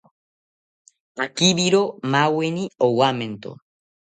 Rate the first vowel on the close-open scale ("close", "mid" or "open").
open